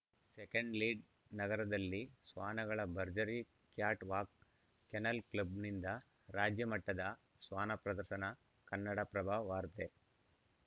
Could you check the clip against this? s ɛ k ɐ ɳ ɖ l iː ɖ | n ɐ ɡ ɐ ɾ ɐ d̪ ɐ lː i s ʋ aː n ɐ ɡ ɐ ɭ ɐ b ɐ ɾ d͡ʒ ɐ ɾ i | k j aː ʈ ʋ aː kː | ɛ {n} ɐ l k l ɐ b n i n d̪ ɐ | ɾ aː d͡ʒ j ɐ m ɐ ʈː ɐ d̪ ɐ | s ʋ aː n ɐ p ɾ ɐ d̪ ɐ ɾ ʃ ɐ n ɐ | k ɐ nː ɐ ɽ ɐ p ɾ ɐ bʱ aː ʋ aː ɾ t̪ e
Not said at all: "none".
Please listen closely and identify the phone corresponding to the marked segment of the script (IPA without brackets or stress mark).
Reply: n